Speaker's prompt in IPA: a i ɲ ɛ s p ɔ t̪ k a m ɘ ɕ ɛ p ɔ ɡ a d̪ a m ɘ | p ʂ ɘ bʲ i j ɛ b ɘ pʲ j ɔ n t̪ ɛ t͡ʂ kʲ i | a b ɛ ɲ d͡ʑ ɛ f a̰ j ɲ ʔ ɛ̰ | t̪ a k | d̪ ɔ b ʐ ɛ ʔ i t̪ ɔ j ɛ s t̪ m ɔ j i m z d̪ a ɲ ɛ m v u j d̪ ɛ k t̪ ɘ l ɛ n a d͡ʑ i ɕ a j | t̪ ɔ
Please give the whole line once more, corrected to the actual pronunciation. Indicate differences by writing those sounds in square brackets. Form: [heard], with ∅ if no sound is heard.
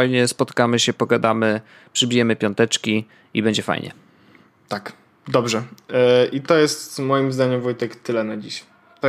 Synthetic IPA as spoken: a [j] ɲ ɛ s p ɔ t̪ k a m ɘ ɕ ɛ p ɔ ɡ a d̪ a m ɘ | p ʂ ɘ bʲ i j ɛ [m] ɘ pʲ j ɔ n t̪ ɛ t͡ʂ kʲ i | [i] b ɛ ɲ d͡ʑ ɛ f a̰ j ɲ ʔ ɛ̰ | t̪ a k | d̪ ɔ b ʐ ɛ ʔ i t̪ ɔ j ɛ s t̪ m ɔ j i m z d̪ a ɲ ɛ m v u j [t̪] ɛ k t̪ ɘ l ɛ n a d͡ʑ i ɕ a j | t̪ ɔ